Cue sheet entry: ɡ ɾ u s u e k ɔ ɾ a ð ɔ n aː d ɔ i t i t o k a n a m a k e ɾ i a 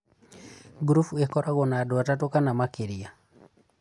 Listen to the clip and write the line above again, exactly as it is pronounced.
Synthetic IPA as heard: ɡ ɾ u f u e k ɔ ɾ a ɣ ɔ n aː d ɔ a t a t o k a n a m a k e ɾ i a